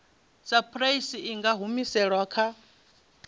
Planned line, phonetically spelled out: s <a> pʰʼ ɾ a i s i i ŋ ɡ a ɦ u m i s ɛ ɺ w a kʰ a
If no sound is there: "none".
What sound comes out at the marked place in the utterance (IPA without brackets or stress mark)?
a